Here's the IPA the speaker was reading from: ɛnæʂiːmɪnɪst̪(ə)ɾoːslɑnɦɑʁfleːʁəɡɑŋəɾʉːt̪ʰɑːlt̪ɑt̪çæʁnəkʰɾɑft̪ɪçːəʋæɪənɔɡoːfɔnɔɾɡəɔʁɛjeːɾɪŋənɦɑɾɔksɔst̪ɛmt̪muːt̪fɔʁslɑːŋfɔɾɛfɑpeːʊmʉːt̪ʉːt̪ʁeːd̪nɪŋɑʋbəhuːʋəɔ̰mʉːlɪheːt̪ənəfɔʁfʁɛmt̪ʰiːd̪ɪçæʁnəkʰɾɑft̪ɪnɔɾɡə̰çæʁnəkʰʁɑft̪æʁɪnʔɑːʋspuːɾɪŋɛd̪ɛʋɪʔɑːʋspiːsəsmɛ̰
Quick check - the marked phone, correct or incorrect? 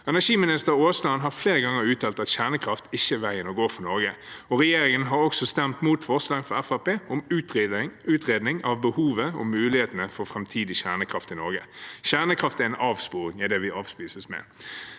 correct